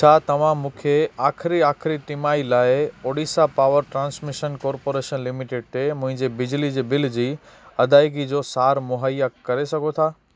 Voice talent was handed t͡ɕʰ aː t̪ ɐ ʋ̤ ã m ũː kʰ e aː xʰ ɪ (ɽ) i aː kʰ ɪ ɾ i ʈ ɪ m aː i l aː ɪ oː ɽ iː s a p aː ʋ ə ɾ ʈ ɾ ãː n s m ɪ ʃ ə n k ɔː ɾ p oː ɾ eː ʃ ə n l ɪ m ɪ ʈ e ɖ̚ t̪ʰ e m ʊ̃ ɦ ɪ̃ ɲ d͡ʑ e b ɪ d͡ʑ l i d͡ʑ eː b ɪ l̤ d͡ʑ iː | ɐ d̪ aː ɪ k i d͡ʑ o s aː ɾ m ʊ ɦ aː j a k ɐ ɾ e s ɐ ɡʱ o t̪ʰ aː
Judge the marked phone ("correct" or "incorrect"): incorrect